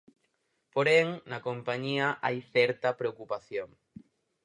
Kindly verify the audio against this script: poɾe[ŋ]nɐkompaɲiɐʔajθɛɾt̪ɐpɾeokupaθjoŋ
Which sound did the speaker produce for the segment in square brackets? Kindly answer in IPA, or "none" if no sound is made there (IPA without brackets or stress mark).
ŋ